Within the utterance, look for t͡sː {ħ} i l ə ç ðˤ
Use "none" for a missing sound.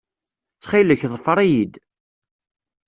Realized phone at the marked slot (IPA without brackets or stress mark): χ